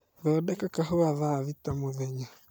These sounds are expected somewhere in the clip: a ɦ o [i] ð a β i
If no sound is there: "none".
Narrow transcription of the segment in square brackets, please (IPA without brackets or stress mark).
a